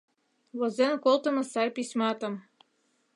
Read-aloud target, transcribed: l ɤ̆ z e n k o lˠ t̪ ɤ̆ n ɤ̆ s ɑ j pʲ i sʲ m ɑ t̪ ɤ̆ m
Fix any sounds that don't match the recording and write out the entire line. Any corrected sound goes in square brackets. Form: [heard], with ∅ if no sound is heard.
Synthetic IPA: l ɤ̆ z e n k o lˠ t̪ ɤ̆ [m] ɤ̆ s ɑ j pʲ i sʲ m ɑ t̪ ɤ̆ m